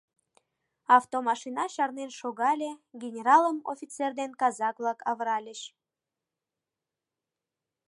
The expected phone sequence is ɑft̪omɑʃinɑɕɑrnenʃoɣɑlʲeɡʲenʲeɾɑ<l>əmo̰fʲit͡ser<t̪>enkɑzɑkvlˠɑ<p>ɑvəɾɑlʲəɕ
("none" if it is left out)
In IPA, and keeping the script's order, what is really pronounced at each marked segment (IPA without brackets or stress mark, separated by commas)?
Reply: l, d̪, k